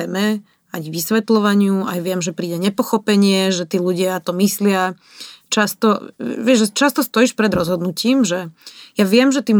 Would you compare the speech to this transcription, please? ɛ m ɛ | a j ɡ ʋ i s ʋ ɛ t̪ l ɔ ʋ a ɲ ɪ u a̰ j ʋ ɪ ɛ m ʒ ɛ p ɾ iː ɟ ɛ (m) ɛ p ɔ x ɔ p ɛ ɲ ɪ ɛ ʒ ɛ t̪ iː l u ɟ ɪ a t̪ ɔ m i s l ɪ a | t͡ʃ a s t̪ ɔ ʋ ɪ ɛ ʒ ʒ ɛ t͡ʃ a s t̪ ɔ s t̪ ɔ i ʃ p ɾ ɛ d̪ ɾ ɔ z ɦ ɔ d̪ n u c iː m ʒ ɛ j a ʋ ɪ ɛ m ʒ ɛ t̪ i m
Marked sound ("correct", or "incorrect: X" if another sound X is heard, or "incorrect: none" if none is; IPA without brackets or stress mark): incorrect: ɲ